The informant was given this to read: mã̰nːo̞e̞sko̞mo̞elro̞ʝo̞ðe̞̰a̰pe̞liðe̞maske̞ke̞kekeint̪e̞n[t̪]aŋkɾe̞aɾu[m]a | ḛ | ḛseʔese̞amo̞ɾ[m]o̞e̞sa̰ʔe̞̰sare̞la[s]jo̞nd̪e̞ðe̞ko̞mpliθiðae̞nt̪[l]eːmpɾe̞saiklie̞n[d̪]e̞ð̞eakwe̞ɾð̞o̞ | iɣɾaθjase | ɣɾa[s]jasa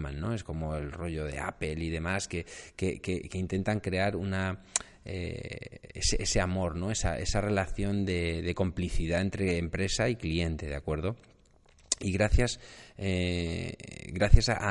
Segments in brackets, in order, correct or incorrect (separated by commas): correct, incorrect, incorrect, incorrect, incorrect, incorrect, incorrect